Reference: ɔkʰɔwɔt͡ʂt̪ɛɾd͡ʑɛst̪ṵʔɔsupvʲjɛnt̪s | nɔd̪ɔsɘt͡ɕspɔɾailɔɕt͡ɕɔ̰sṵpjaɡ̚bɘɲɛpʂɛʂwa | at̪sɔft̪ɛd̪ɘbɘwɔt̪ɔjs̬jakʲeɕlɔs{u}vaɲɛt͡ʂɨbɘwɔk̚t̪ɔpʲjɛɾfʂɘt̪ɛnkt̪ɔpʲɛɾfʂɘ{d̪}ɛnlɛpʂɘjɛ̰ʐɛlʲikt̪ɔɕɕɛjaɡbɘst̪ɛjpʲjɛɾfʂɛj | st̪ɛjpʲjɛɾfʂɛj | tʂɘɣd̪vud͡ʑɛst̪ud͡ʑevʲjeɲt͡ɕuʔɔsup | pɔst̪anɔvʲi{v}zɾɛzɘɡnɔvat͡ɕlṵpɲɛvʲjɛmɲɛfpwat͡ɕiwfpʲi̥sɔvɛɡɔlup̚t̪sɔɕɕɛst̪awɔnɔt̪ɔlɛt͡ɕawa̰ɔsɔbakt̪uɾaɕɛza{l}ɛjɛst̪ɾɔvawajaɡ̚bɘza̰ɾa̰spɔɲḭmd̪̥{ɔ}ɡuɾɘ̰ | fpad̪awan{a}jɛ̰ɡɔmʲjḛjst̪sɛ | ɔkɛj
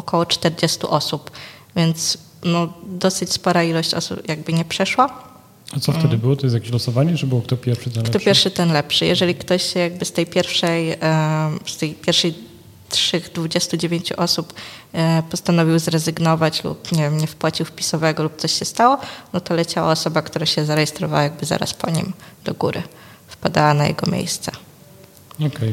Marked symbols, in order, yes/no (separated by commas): no, no, no, no, yes, yes